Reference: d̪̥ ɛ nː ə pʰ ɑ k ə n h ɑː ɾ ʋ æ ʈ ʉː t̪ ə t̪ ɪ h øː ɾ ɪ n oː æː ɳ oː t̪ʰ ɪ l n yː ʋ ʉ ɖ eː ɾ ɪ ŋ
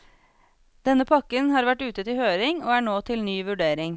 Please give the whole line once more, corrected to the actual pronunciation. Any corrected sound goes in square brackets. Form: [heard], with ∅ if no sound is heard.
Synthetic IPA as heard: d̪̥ ɛ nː ə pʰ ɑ k ə n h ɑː ɾ ʋ æ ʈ ʉː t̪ ə t̪ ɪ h øː ɾ ɪ [ŋ] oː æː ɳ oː t̪ʰ ɪ l n yː ʋ ʉ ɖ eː ɾ ɪ ŋ